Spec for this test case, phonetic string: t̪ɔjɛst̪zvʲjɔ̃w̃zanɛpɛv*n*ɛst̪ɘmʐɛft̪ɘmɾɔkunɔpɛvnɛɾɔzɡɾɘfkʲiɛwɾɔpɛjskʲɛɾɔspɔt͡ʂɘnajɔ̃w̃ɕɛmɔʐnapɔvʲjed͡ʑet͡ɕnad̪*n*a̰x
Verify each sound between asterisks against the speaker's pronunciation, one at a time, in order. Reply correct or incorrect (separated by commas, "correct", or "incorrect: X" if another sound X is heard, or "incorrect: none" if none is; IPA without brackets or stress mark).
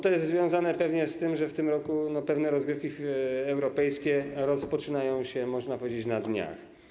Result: incorrect: ɲ, incorrect: ɲ